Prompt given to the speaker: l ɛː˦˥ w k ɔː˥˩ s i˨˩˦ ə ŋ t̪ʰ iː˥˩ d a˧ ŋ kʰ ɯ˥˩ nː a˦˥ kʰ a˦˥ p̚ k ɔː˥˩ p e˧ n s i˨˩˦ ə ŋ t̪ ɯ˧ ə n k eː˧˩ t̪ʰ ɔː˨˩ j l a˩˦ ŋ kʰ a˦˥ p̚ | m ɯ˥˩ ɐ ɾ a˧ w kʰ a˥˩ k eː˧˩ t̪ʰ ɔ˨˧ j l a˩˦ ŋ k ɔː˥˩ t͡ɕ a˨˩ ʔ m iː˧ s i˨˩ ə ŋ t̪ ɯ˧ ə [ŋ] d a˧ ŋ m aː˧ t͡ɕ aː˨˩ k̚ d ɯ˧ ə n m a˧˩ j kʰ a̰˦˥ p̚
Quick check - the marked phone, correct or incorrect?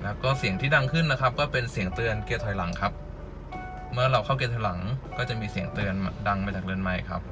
incorrect: n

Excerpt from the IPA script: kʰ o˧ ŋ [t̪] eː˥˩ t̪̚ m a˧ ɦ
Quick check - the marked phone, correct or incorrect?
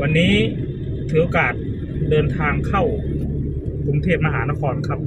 incorrect: t̪ʰ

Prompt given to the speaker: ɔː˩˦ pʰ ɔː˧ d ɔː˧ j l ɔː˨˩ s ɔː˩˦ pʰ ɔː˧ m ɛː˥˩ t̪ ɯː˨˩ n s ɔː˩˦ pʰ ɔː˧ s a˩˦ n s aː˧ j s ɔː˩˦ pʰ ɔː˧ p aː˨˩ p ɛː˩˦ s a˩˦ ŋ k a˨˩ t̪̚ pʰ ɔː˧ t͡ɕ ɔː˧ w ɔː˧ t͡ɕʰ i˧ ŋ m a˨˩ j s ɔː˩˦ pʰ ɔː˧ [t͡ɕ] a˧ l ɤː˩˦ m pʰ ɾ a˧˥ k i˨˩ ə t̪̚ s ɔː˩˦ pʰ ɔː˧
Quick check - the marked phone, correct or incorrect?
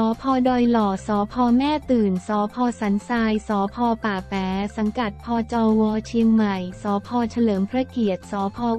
incorrect: t͡ɕʰ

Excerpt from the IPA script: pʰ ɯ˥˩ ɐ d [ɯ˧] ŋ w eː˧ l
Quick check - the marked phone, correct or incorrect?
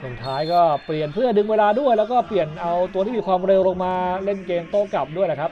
correct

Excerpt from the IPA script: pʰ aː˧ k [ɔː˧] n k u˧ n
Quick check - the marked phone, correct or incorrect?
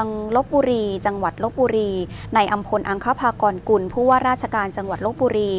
correct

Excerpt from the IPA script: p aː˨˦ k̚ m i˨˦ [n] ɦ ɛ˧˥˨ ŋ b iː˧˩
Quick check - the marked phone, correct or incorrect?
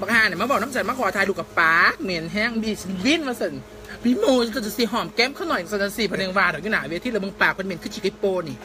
correct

